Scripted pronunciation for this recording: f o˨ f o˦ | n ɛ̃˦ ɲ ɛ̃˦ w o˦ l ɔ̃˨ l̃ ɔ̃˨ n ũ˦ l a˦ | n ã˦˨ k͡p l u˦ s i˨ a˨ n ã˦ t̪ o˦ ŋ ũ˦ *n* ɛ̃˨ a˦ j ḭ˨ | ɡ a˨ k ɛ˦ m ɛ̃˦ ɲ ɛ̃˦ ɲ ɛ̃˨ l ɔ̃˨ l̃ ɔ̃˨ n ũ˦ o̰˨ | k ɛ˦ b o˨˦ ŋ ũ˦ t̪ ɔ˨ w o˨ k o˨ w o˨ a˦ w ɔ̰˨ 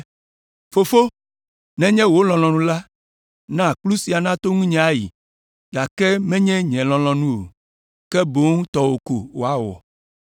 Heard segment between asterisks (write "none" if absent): ɲ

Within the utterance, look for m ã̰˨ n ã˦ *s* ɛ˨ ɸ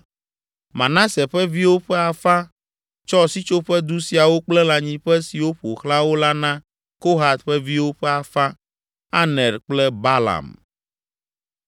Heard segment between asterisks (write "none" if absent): s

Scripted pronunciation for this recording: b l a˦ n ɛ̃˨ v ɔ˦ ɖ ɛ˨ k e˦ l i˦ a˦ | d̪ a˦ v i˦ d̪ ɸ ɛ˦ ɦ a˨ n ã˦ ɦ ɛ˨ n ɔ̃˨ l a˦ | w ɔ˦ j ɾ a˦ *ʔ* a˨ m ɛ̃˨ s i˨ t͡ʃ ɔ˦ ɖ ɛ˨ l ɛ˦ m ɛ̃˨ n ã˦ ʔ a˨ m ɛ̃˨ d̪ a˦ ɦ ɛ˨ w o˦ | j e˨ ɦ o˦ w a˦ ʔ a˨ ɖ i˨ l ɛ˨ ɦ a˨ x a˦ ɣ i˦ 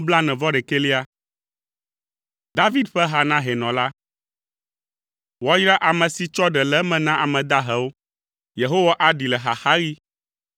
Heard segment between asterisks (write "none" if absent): ʔ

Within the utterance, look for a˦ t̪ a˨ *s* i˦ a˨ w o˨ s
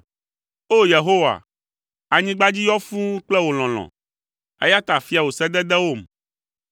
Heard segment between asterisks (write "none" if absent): f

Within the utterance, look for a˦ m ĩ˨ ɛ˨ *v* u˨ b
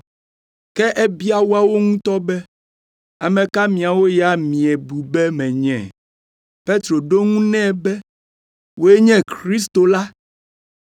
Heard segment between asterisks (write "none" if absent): b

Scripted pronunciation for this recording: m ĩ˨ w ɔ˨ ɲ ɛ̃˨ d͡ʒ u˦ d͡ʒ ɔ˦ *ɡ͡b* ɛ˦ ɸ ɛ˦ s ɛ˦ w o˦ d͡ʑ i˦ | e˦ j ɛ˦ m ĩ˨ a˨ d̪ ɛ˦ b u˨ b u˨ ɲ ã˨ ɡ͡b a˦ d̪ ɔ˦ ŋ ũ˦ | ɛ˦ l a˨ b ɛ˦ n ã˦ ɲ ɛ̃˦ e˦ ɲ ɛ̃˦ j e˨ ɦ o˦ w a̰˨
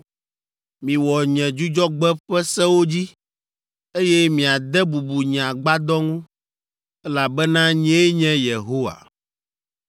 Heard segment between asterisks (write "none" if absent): ɡ͡b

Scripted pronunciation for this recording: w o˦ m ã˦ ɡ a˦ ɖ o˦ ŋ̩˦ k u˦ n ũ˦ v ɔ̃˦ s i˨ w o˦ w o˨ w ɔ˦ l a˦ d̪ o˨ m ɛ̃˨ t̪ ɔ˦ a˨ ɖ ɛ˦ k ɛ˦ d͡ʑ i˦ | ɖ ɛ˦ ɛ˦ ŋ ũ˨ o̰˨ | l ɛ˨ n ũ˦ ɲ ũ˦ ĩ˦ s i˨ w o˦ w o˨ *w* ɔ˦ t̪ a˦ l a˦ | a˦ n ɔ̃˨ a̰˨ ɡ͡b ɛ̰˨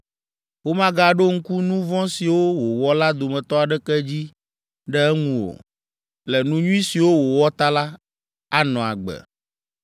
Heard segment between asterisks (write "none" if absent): w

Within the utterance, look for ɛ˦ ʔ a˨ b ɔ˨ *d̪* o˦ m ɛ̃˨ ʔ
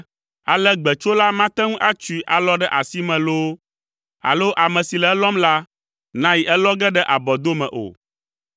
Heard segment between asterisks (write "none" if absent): d̪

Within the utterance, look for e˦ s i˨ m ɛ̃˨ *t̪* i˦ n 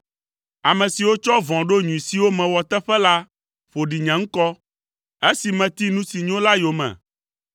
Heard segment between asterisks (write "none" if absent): t̪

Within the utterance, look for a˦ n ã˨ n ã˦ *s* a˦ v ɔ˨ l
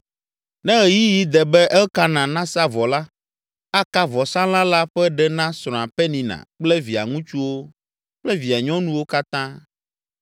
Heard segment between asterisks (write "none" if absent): s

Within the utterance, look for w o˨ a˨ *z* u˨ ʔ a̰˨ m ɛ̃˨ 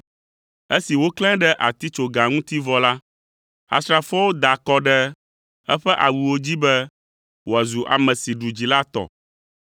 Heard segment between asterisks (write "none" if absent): z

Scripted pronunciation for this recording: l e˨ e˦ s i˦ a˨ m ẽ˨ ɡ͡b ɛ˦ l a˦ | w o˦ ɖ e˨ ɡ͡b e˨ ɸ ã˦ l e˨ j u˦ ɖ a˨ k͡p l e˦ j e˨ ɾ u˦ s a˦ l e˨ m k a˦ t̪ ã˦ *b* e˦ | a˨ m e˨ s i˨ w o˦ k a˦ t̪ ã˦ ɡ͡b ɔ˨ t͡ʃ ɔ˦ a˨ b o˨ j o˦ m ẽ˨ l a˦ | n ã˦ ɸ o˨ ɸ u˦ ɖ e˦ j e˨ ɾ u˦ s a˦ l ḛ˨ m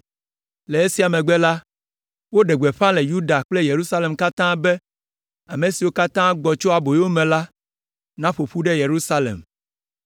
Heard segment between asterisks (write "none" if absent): b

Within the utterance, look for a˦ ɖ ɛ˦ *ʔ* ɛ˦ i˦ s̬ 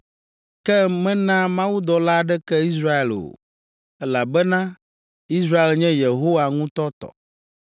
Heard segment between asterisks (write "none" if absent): k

